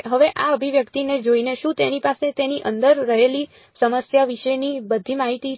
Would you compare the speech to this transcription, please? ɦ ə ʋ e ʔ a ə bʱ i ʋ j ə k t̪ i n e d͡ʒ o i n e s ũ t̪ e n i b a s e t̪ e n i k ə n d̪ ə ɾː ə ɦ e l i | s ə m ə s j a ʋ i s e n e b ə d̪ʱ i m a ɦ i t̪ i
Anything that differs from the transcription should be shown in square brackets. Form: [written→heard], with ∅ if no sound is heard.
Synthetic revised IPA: ɦ ə ʋ e ʔ a ə bʱ i ʋ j ə k t̪ i n e d͡ʒ o i n e [s→ʃ] ũ t̪ e n i [b→p] a s e t̪ e n i [k→ʔ] ə n d̪ ə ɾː ə ɦ e l i | s ə m ə s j a ʋ i [s→ʃ] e n [e→i] b ə d̪ʱ i m a ɦ i t̪ i